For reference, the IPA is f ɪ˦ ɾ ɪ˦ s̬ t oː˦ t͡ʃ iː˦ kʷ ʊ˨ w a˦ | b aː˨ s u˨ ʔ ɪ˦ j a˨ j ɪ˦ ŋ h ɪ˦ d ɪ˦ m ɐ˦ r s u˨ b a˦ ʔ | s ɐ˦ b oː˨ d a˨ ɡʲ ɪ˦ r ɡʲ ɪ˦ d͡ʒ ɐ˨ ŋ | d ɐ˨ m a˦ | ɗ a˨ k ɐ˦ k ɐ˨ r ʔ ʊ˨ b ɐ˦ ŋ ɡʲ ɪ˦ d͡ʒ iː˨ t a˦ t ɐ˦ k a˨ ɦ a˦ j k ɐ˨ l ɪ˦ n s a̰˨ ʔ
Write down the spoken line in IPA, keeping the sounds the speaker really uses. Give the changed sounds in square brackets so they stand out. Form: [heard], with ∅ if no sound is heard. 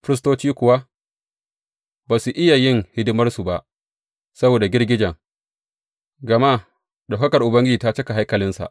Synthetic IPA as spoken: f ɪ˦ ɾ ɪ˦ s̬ t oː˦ t͡ʃ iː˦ kʷ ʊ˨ w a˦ | b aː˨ s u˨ ʔ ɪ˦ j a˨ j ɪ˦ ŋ h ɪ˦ d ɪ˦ m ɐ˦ r s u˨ b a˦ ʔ | s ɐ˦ b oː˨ d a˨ ɡʲ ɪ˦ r ɡʲ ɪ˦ d͡ʒ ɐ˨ ŋ | [ɡ] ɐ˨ m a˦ | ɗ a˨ k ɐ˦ k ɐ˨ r ʔ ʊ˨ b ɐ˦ ŋ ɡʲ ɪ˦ d͡ʒ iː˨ t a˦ [t͡ʃ] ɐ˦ k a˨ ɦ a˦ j k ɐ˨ l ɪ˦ n s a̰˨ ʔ

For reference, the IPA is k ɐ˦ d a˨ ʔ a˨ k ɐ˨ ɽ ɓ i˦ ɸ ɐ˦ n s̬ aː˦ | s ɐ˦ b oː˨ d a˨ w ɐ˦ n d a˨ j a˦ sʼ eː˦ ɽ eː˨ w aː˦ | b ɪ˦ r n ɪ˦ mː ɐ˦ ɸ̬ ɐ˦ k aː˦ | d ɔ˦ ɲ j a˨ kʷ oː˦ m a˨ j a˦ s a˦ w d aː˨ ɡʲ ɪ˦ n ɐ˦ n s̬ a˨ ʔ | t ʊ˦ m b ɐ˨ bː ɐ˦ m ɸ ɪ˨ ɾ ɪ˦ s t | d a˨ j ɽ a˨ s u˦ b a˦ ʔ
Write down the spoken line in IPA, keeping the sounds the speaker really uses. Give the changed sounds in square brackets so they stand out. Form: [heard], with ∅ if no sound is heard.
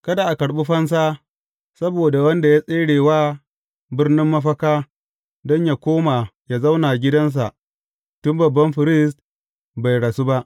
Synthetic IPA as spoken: k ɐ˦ d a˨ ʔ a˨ k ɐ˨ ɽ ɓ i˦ ɸ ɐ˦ n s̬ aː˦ | s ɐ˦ b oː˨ d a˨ w ɐ˦ n d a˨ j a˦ sʼ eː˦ ɽ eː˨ w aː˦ | b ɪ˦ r n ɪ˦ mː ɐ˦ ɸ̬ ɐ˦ k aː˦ | d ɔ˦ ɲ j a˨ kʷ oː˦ m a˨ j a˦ [z] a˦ w [n] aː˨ ɡʲ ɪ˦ [d] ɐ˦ n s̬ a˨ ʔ | t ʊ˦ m b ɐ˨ bː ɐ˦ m ɸ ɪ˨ ɾ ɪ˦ s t | [b] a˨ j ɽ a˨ s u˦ b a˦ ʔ

